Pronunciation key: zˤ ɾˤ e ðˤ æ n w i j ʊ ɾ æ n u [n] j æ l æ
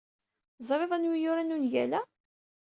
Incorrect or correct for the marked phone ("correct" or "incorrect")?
correct